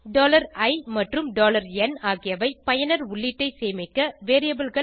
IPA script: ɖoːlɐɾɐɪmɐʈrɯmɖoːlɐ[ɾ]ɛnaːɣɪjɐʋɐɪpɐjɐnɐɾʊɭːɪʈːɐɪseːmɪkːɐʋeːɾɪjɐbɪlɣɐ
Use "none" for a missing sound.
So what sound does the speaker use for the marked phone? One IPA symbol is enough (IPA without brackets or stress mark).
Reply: ɾ